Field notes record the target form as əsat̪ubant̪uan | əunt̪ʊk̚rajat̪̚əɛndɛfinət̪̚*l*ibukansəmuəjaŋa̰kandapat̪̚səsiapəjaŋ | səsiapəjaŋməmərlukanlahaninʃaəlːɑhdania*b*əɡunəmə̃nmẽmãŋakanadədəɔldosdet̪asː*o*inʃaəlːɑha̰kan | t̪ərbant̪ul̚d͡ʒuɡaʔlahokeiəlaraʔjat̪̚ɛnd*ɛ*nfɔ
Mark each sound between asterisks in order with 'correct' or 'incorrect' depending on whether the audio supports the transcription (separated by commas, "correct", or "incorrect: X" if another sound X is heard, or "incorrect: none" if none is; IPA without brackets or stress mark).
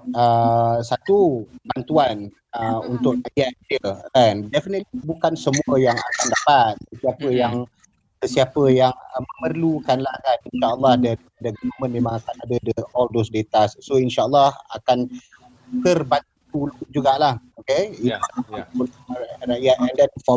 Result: correct, incorrect: d, correct, correct